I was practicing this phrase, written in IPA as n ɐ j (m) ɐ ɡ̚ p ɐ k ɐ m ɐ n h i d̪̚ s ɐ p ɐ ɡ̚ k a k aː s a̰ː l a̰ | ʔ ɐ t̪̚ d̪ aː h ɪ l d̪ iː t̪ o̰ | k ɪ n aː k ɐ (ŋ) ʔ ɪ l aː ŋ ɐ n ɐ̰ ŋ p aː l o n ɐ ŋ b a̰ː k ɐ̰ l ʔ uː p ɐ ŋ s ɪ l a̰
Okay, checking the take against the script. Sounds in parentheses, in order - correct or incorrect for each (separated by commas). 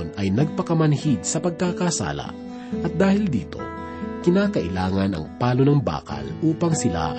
incorrect, incorrect